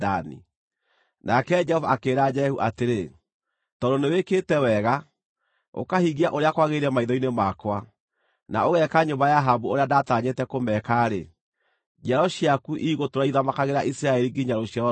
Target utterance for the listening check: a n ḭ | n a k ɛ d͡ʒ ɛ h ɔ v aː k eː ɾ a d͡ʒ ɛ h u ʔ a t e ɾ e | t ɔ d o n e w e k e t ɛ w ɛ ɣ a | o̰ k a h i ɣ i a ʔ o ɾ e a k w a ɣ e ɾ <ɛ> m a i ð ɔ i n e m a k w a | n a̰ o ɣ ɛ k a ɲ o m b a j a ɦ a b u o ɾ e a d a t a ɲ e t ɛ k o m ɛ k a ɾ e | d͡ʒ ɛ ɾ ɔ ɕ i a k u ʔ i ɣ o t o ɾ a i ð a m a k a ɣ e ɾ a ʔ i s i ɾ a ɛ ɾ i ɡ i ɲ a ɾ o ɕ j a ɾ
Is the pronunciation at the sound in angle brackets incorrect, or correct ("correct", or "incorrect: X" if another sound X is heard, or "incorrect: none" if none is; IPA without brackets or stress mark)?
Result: correct